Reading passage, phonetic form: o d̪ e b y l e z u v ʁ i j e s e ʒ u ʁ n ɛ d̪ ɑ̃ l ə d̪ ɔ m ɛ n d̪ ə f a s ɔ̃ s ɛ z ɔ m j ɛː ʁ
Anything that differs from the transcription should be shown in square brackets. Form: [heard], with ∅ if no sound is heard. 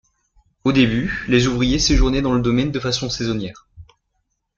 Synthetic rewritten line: o d̪ e b y l e z u v ʁ i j e s e ʒ u ʁ n ɛ d̪ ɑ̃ l ə d̪ ɔ m ɛ n d̪ ə f a s ɔ̃ s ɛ z ɔ [n] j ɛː ʁ